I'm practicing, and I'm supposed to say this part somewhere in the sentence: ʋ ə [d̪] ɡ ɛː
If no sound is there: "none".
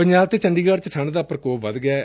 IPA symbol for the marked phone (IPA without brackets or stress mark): d̪